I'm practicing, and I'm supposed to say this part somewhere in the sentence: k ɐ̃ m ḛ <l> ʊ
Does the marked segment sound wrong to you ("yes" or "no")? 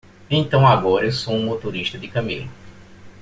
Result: no